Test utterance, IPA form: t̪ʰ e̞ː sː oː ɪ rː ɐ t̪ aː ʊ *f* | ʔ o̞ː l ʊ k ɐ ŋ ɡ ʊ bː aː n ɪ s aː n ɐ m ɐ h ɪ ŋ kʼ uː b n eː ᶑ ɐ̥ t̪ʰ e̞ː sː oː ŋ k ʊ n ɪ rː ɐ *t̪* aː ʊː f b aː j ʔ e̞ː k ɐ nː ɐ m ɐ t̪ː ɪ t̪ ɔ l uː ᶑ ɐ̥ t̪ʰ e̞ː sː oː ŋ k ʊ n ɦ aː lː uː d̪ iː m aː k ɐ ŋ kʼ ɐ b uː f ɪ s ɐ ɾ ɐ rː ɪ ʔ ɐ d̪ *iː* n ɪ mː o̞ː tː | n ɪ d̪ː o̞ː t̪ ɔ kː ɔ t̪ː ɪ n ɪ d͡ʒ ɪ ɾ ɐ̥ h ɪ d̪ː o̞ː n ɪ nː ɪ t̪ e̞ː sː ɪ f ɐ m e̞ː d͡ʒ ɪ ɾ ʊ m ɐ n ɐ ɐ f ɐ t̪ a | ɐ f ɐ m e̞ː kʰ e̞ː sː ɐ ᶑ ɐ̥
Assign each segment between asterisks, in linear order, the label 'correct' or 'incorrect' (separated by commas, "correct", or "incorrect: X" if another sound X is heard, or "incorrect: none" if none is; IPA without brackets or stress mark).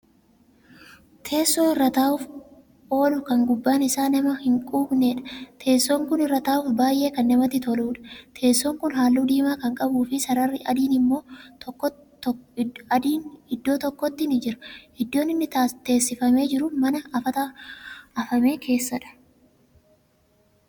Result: correct, correct, correct